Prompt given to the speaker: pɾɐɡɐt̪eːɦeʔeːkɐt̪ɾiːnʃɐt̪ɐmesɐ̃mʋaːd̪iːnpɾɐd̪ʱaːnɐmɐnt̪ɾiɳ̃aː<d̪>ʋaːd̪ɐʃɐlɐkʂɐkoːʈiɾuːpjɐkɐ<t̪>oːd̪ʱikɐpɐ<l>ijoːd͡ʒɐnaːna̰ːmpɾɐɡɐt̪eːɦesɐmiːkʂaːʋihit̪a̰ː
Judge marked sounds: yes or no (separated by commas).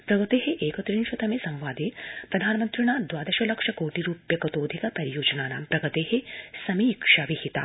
yes, yes, no